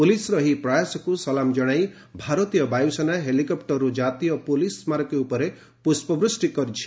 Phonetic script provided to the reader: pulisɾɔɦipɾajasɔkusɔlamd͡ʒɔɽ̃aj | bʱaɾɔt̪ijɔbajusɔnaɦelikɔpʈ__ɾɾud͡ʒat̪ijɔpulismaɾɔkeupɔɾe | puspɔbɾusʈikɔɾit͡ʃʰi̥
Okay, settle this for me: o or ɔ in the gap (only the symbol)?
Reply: ɔ